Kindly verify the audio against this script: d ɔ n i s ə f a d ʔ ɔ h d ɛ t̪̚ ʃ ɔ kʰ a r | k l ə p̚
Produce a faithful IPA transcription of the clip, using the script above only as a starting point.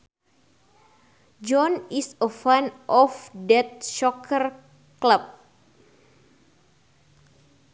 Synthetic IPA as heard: d͡ʒ ɔ n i s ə f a n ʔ ɔ f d ɛ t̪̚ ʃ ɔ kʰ ə r | k l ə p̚